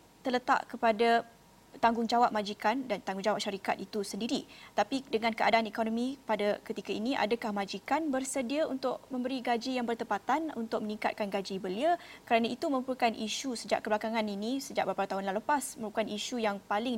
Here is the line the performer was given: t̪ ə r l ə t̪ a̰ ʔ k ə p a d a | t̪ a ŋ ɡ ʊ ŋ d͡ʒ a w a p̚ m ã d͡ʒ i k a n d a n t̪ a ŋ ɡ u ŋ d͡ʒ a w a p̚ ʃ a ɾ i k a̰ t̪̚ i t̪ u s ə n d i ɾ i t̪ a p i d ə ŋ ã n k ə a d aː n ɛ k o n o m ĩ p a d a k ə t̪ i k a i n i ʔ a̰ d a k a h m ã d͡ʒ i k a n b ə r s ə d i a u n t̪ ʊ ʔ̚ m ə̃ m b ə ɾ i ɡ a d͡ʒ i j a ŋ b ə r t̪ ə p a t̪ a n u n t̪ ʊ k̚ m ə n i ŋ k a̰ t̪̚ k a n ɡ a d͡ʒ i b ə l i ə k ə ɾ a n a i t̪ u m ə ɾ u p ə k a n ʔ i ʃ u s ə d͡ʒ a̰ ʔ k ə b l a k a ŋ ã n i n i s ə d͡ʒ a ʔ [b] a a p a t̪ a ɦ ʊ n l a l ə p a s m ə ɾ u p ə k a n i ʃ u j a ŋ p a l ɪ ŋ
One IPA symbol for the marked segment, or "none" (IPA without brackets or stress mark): b